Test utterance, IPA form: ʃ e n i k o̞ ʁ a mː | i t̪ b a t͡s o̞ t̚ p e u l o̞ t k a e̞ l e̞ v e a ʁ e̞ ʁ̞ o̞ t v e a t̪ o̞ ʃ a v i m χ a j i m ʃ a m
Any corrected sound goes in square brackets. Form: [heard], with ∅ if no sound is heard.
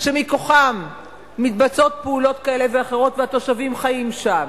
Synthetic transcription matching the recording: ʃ e [m] i k o̞ [χ] a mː | i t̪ b a t͡s o̞ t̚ p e u l o̞ t k a e̞ l e̞ v e a [χ] e̞ ʁ̞ o̞ t v e a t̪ o̞ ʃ a v i m χ a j i m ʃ a m